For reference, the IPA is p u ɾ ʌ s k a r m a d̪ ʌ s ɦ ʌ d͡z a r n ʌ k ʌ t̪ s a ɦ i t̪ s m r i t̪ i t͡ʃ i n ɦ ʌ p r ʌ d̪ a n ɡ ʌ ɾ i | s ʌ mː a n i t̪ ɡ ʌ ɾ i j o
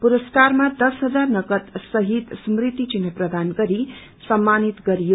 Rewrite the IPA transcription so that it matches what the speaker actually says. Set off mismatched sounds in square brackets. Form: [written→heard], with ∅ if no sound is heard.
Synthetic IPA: p u ɾ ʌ s k a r m a d̪ ʌ s ɦ ʌ d͡z a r n ʌ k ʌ t̪ s [a→ʌ] ɦ i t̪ s m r i t̪ i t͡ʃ i n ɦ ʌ p r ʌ d̪ a n ɡ ʌ ɾ i | s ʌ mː a n i t̪ ɡ ʌ ɾ i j o